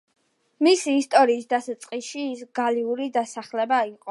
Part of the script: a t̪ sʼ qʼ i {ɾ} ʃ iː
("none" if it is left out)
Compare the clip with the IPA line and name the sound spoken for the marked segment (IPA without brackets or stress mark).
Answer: none